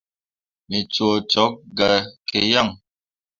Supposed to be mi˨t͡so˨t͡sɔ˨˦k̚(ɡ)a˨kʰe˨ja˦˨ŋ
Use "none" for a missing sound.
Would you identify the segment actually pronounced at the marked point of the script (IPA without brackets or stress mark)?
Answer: ɡ